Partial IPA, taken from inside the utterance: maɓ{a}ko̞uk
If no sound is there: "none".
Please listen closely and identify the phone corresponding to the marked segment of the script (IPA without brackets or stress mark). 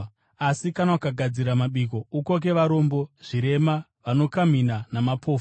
i